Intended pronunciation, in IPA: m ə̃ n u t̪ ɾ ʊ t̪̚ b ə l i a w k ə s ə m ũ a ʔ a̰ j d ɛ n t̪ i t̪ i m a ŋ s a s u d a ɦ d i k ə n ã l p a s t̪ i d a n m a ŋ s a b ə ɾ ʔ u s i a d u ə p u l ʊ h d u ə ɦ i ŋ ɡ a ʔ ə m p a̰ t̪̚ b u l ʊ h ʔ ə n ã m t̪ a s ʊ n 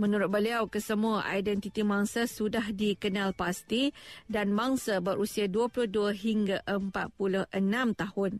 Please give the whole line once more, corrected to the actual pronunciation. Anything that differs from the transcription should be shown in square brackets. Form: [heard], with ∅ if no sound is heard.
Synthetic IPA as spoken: m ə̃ n u [∅] ɾ ʊ t̪̚ b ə l i a w k ə s ə m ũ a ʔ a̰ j d ɛ n t̪ i t̪ i m a ŋ s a s u d a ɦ d i k ə n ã l p a s t̪ i d a n m a ŋ s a b ə ɾ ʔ u s i a d u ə p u l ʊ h d u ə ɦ i ŋ ɡ a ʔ ə m p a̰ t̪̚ [p] u l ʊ h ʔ ə n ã m t̪ a [h] ʊ n